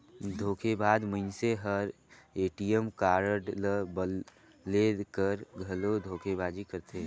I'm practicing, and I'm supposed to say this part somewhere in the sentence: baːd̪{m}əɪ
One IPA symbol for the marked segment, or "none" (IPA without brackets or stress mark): m